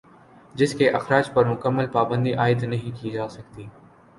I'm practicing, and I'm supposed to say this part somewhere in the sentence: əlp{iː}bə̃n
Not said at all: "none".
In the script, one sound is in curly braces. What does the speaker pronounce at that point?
aː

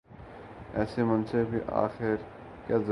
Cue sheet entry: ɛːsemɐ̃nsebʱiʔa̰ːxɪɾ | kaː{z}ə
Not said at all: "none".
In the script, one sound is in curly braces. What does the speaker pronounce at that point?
z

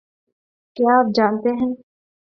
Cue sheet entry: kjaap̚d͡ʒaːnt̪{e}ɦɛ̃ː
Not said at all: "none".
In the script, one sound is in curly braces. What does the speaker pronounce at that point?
e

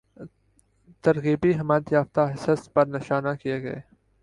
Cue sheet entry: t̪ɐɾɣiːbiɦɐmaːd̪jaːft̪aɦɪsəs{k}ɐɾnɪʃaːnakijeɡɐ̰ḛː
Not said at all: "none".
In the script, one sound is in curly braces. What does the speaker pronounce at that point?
p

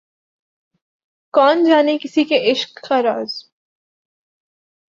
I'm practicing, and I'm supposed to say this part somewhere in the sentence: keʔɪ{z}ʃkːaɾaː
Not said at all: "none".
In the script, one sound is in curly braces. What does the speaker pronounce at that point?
none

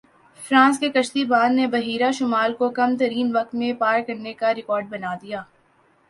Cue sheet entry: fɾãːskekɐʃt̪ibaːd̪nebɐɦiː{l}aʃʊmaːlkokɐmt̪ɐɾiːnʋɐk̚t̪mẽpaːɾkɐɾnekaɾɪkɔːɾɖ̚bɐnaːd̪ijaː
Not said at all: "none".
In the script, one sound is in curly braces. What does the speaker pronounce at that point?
ɾ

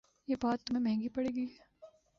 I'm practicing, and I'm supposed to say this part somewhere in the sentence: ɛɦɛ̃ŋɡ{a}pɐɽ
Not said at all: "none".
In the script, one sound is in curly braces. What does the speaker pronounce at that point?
i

